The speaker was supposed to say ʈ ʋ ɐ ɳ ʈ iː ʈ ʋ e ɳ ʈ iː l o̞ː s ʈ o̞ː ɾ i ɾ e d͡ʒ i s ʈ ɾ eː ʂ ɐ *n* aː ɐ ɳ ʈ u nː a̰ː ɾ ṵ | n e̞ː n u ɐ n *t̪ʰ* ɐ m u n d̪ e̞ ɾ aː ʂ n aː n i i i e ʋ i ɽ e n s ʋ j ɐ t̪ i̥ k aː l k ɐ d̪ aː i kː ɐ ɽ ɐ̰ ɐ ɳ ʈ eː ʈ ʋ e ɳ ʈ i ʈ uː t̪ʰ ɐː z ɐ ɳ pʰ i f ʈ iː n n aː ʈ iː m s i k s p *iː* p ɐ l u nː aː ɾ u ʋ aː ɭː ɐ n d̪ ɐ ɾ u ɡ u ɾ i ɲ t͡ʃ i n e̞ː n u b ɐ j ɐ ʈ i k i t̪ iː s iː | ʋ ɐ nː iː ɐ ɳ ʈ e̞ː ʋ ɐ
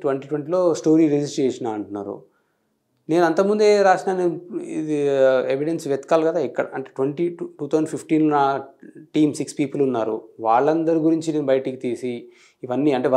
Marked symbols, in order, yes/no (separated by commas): yes, no, yes